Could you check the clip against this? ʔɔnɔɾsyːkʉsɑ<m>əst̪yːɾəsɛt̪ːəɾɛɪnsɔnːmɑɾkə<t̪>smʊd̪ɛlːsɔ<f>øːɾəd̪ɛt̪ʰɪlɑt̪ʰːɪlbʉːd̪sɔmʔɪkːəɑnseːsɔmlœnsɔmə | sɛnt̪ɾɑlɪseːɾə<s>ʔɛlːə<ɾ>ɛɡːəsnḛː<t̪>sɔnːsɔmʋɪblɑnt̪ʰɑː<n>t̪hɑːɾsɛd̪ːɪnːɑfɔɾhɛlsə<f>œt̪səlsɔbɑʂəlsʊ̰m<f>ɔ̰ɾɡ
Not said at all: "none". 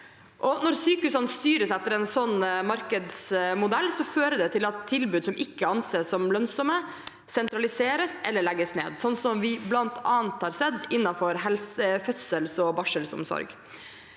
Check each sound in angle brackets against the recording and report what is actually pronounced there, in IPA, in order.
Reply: n, d̪, f, s, ɭ, d̪, n, f, s

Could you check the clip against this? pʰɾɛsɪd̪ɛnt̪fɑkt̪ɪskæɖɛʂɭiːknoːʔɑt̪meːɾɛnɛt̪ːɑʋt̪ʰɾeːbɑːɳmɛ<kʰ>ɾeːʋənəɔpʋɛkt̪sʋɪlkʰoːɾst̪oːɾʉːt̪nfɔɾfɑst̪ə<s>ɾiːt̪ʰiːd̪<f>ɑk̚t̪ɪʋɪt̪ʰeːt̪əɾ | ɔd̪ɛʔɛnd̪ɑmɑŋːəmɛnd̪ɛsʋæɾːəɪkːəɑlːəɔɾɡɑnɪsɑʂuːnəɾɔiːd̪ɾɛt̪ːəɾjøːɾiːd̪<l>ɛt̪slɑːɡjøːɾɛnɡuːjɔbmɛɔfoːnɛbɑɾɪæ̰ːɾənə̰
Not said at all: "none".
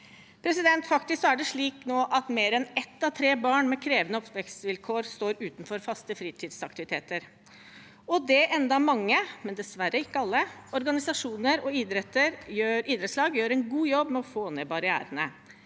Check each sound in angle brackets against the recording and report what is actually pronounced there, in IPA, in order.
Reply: kʰ, f, s, ɾ

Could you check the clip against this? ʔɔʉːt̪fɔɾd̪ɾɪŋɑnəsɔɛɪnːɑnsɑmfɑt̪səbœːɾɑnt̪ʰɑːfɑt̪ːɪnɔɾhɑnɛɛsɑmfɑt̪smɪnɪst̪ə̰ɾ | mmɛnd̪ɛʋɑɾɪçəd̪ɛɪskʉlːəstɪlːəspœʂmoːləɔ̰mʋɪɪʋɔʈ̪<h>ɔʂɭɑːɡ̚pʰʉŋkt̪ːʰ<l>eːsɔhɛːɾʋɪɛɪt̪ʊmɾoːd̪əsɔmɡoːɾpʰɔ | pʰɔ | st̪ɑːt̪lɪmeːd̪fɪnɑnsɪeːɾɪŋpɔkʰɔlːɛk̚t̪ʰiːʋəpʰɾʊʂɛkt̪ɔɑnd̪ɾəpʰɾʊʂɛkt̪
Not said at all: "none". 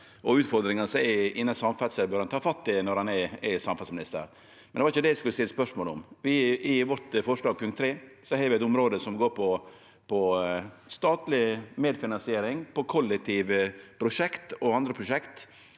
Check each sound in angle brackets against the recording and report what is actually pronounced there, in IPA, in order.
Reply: f, ɾ

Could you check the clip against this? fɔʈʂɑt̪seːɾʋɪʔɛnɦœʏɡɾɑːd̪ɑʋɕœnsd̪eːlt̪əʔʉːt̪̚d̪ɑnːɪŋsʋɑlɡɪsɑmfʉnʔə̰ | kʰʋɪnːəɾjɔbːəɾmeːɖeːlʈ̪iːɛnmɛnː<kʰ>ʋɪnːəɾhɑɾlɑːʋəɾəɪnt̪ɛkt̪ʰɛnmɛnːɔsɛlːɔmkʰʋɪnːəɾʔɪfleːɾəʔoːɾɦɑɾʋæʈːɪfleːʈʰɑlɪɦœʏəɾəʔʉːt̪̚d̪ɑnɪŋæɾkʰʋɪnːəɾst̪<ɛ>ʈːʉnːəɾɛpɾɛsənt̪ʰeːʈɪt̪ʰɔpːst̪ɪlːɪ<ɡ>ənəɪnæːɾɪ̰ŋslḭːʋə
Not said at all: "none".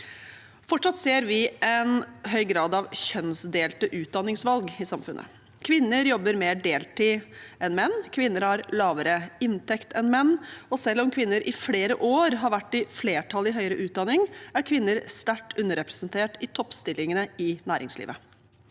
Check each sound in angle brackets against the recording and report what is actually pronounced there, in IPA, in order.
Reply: kʰ, æ, ŋ

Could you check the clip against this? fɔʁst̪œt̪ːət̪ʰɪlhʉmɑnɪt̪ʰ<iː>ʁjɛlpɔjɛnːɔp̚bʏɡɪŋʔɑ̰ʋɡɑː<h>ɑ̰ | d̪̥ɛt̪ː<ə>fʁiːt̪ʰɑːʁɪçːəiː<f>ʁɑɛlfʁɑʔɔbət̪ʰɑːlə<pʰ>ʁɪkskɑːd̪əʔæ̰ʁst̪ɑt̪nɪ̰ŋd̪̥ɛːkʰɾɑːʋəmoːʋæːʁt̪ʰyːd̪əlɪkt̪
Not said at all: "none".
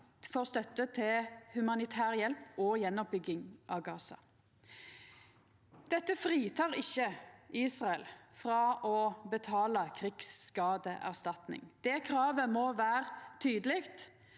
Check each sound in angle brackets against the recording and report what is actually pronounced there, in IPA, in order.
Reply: æː, s, ə, s, kʰ

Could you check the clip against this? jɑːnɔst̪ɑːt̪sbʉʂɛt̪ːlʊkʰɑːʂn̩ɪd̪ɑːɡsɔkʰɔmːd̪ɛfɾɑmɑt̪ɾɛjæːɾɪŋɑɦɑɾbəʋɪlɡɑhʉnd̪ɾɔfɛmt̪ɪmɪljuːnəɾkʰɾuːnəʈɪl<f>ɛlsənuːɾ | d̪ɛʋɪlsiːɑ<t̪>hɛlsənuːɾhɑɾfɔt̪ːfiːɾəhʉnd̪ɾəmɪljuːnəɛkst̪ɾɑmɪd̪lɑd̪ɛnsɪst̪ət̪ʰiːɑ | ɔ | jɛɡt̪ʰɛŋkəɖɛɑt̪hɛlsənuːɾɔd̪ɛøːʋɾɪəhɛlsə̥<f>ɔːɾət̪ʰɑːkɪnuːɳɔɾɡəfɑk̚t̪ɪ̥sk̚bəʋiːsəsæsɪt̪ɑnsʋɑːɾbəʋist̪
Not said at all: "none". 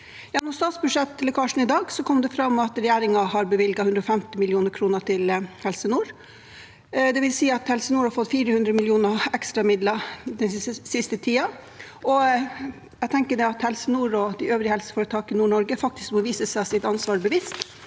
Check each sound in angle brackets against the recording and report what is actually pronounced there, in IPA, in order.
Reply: h, t̪, f

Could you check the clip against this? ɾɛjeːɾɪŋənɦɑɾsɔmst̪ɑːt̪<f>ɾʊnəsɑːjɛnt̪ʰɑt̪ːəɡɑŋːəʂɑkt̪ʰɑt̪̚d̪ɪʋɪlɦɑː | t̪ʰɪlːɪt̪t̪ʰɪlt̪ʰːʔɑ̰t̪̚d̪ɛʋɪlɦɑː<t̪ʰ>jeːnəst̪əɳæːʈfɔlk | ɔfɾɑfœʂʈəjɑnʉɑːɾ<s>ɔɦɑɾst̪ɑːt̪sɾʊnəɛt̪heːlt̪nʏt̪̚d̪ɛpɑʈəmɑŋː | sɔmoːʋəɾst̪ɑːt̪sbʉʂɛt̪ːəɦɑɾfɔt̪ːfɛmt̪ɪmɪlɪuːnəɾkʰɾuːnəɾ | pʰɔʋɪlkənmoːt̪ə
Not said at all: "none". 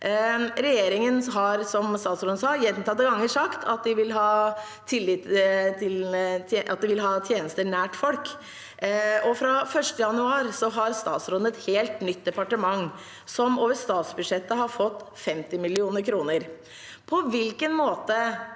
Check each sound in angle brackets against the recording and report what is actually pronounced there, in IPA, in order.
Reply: s, t̪ʰ, s

